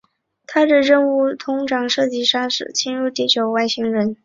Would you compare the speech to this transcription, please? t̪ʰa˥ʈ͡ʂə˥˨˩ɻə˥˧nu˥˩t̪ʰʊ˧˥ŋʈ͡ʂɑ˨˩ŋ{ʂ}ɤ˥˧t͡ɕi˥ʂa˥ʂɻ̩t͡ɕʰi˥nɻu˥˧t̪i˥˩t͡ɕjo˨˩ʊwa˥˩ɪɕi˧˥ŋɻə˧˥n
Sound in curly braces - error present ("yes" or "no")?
no